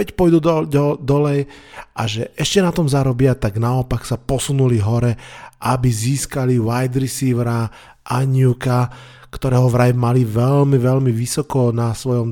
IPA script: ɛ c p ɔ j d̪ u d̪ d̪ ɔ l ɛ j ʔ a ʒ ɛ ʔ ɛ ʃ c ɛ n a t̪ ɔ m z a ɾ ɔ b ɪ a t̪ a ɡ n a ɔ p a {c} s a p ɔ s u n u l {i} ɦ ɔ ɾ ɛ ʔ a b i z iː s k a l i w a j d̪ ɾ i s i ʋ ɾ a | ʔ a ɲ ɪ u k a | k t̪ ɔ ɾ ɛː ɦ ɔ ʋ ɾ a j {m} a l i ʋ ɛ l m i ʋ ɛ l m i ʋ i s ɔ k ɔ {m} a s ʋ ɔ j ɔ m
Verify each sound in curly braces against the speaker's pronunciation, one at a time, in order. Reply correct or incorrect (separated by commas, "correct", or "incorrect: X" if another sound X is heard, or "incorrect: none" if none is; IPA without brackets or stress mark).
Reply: incorrect: k, correct, correct, incorrect: n